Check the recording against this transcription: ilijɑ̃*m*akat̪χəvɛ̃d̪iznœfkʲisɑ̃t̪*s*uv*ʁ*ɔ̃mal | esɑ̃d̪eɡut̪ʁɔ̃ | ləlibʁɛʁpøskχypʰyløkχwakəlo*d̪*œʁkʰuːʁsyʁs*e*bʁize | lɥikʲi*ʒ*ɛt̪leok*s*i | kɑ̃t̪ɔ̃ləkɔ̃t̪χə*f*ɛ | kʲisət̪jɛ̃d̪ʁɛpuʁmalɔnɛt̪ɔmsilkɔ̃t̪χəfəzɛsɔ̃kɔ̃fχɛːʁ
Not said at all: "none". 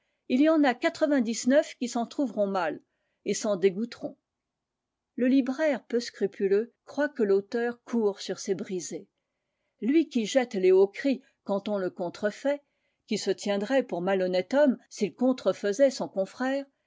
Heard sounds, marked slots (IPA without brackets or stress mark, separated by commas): n, χ, ʁ, t̪, e, ʒ, χ, f